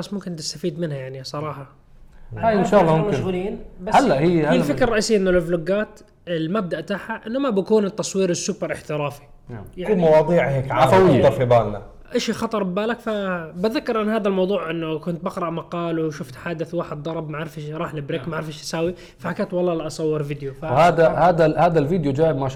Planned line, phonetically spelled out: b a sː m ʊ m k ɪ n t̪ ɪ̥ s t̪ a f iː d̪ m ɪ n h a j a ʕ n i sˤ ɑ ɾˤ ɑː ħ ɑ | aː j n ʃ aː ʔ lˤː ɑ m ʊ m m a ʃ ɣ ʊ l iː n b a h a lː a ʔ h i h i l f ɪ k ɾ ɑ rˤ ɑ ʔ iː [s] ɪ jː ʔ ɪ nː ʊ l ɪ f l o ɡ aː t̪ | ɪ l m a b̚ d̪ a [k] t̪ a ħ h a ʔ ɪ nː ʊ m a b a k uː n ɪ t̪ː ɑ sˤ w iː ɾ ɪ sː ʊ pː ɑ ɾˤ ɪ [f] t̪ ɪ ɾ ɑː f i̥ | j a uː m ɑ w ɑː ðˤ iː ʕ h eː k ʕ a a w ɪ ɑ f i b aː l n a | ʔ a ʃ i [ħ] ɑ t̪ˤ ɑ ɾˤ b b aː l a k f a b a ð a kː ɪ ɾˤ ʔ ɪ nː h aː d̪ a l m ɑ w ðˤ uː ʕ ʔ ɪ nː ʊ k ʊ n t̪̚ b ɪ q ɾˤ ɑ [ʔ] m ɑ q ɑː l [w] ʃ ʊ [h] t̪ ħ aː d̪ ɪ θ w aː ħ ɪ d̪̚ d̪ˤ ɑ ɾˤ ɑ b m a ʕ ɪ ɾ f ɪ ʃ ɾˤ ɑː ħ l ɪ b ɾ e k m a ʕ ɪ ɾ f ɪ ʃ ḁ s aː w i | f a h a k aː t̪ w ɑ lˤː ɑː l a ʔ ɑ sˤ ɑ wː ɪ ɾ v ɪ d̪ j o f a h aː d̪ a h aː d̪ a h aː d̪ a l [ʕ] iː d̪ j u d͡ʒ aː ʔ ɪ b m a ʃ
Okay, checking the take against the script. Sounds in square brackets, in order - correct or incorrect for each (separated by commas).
correct, incorrect, incorrect, incorrect, correct, correct, incorrect, incorrect